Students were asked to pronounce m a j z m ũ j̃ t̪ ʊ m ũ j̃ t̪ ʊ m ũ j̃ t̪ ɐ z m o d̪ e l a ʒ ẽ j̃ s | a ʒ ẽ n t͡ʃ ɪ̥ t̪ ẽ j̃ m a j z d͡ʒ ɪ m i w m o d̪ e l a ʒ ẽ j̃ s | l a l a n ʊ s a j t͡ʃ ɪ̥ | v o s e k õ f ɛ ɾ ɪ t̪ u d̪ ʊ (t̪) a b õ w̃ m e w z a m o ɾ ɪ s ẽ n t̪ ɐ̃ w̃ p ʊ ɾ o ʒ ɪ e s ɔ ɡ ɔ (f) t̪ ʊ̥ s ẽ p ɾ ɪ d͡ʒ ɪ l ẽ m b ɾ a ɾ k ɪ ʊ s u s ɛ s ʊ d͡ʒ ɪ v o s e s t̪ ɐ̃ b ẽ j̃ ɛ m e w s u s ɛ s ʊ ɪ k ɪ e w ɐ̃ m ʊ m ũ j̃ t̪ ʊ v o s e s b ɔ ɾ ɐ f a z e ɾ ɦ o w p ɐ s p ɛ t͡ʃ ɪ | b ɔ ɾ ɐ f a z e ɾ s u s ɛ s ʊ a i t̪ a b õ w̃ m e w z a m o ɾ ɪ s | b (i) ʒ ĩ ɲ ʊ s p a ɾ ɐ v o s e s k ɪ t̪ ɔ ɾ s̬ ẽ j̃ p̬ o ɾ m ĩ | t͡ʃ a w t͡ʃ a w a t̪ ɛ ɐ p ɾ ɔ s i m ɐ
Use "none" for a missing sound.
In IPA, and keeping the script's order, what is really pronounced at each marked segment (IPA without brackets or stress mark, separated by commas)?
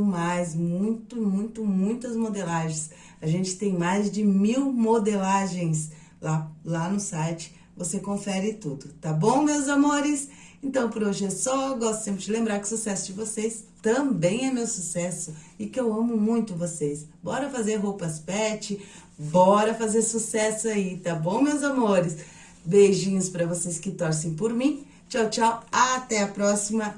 t̪, s, e